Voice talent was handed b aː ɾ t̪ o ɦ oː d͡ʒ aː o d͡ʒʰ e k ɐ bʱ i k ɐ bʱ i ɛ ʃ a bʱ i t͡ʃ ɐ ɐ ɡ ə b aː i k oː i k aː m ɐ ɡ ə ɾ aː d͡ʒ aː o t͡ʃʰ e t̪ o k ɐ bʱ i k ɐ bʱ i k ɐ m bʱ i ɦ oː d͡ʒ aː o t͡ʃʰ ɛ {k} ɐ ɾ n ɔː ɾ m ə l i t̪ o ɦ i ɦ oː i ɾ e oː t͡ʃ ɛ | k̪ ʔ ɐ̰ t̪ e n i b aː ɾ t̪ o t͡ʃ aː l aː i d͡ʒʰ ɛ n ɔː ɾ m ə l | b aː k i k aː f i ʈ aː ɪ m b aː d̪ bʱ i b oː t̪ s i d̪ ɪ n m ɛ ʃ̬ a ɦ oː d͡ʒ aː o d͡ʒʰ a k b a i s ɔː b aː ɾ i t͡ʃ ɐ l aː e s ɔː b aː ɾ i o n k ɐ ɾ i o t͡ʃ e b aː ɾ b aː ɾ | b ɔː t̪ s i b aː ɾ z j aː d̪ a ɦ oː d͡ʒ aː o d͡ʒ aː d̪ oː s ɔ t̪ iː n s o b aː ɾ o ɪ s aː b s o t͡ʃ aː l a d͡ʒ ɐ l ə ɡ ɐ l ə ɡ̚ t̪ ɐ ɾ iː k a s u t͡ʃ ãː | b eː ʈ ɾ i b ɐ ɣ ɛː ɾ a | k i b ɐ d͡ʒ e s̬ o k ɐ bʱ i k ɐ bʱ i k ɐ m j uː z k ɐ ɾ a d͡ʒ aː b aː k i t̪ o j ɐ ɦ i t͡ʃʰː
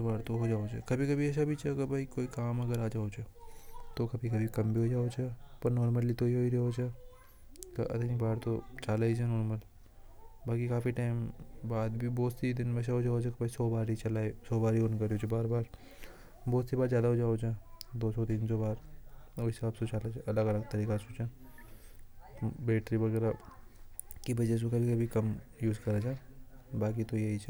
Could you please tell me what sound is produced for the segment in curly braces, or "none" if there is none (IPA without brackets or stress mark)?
p